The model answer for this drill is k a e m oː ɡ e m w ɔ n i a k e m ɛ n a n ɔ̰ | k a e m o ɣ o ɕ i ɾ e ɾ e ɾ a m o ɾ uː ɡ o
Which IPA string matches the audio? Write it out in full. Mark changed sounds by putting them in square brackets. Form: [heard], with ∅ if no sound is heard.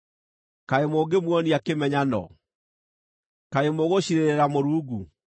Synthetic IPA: k a e m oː ɡ e m w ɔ n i a k e m ɛ [ɲ] a n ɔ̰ | k a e m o ɣ o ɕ i ɾ e ɾ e ɾ a m o ɾ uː ɡ [u]